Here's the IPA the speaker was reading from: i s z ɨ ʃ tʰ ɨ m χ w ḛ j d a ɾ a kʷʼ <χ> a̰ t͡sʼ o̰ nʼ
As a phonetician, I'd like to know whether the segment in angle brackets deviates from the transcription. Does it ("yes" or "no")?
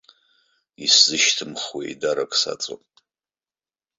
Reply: yes